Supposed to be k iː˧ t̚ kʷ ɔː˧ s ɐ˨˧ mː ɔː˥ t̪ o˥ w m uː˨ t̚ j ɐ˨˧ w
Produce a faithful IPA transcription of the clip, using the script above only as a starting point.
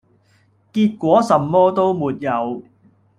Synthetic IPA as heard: k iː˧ t̚ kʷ ɔː˨˥ s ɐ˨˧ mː ɔː˥ t̪ o˥ w m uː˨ t̚ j ɐ˨˧ w